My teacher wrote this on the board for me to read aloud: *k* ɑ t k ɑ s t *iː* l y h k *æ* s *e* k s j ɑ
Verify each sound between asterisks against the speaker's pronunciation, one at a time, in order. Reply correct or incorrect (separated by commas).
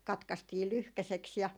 correct, correct, correct, correct